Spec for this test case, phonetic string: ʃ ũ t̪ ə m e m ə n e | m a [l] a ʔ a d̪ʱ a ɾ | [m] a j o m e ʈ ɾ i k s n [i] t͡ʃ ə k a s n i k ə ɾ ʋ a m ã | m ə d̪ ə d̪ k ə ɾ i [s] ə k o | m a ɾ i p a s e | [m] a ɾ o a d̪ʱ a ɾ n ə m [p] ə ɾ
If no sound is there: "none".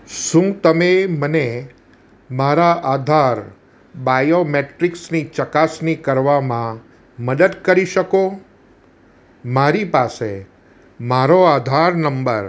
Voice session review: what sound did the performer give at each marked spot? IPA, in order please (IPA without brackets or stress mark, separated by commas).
ɾ, b, i, ʃ, m, b